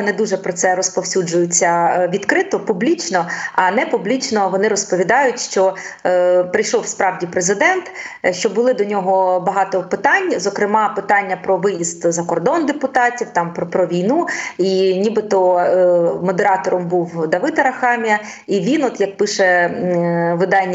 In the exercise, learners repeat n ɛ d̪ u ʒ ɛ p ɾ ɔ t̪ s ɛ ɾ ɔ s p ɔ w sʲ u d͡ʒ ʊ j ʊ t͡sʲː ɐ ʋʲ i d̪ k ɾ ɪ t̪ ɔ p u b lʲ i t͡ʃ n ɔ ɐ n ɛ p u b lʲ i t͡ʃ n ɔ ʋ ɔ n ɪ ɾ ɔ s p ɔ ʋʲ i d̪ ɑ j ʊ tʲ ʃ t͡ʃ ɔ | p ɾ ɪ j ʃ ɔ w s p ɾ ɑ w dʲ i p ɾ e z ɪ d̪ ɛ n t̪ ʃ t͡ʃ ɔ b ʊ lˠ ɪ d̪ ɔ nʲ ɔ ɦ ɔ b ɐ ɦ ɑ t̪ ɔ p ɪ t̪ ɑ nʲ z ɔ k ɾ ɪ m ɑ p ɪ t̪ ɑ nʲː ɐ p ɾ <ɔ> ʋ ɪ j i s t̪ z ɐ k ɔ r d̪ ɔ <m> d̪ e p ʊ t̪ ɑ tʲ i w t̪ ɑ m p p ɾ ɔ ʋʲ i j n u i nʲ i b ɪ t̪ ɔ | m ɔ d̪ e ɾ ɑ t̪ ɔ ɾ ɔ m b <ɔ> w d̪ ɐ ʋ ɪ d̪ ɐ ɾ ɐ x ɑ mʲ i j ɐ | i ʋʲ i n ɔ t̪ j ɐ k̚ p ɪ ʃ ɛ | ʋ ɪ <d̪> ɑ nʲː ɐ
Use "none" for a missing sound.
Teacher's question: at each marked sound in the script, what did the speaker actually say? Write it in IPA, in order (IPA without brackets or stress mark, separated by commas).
ɔ, n, u, d̪